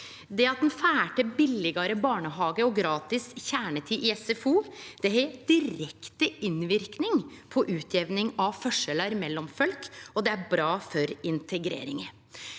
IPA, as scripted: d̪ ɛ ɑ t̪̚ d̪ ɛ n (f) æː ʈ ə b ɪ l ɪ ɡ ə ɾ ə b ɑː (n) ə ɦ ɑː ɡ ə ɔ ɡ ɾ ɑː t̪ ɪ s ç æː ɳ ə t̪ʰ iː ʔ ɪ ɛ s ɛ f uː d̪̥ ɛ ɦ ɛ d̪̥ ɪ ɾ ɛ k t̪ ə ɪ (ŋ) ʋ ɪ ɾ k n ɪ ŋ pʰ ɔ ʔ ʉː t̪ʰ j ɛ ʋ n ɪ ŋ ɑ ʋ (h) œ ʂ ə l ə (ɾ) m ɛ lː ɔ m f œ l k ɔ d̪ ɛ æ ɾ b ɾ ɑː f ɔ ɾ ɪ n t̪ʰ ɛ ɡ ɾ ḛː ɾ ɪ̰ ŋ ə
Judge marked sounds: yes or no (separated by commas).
yes, no, no, no, yes